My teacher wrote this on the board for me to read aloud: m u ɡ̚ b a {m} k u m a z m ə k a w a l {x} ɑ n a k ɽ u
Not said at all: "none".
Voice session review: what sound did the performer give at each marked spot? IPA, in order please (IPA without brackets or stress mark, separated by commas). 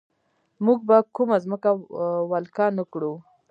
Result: none, k